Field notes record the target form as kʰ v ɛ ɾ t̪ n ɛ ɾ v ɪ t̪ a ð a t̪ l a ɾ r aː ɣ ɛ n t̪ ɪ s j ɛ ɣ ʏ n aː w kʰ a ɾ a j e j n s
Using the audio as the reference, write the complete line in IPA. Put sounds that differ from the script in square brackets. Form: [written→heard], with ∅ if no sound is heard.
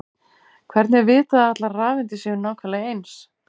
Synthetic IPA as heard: kʰ v ɛ ɾ t̪ n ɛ ɾ v [ɪ→ɪː] t̪ a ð a t̪ l a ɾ r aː [ɣ→v] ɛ n t̪ ɪ s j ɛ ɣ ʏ n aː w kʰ a [ɾ→l] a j e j n s